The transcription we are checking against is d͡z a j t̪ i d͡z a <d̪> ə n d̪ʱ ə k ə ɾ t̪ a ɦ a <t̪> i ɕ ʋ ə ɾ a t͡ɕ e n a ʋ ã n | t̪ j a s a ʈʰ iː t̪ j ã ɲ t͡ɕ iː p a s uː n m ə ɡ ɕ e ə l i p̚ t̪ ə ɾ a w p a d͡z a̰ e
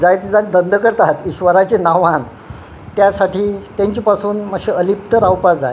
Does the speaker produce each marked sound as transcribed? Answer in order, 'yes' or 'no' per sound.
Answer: yes, yes

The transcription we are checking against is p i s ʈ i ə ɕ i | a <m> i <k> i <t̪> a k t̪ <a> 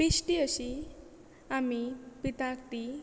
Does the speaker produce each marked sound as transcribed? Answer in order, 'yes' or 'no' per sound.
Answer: yes, no, yes, no

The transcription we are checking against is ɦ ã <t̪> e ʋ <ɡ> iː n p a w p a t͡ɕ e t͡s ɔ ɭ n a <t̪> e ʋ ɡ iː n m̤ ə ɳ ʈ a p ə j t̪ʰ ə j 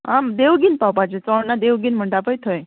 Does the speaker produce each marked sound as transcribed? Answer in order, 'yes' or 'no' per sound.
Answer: no, yes, no

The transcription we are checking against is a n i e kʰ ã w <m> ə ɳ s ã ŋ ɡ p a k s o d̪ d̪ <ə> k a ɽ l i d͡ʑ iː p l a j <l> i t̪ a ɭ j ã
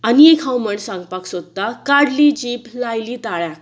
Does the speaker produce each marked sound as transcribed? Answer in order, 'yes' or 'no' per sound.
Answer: yes, no, yes

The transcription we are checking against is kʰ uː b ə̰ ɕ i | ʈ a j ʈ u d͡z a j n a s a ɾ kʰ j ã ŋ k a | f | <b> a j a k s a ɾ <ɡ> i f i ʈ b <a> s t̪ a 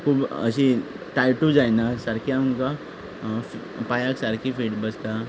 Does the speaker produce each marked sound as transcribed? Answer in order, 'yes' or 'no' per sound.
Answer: no, no, no

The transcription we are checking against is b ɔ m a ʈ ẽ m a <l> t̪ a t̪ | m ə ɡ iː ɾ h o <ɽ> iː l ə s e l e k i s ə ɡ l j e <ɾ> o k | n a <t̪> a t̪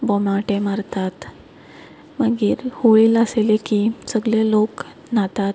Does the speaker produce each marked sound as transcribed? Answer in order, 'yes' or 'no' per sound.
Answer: no, no, no, yes

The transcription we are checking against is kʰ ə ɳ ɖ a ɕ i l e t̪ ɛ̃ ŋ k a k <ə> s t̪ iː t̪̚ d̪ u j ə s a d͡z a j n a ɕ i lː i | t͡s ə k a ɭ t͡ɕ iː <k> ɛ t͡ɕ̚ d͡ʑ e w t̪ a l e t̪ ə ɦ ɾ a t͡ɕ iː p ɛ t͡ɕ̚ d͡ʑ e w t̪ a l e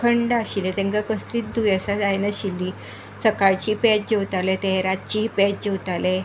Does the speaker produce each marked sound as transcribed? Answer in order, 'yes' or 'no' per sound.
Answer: yes, no

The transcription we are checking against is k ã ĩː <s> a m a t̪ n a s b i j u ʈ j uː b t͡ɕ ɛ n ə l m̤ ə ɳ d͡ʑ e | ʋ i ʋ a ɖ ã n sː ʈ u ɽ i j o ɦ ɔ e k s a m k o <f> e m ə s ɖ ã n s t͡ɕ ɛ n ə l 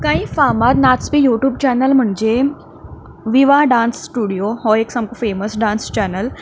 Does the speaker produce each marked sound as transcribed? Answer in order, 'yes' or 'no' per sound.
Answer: no, yes

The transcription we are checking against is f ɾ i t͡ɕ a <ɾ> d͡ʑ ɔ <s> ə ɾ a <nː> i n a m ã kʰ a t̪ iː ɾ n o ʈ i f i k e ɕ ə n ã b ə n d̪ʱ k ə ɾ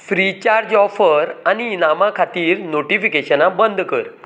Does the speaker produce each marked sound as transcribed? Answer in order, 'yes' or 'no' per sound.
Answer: yes, no, no

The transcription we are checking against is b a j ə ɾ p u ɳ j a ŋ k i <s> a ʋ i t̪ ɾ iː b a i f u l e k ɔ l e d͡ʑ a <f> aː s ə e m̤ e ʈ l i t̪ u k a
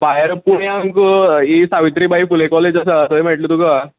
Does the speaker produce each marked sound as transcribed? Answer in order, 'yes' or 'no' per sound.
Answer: yes, no

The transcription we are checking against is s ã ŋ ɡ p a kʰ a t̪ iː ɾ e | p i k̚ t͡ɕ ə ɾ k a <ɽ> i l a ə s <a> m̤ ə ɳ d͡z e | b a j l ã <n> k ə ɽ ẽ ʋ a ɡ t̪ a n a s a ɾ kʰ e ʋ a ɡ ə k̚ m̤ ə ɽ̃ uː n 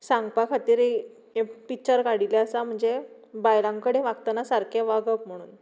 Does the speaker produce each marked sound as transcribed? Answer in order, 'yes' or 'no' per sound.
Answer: yes, yes, no

